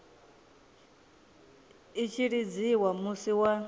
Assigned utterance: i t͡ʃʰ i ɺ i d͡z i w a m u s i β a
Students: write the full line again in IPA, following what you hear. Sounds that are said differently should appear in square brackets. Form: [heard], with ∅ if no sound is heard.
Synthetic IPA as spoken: i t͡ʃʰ i ɺ i d͡z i w a m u s i [w] a